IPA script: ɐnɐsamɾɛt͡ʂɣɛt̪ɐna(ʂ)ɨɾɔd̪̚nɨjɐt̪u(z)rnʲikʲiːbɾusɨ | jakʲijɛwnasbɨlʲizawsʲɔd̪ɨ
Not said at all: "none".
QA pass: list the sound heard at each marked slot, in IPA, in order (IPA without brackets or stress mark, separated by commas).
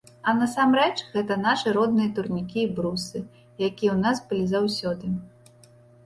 ʂ, none